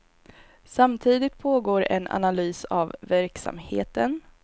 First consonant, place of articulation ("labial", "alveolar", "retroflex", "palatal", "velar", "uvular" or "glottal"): alveolar